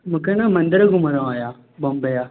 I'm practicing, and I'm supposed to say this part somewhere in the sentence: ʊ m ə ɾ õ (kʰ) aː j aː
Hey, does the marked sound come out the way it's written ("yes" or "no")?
no